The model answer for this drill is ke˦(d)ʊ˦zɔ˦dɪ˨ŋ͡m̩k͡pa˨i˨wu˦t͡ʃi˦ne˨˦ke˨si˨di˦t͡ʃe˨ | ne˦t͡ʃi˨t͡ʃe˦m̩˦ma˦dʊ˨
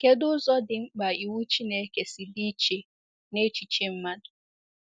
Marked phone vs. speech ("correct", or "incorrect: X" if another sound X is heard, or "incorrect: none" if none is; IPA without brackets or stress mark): correct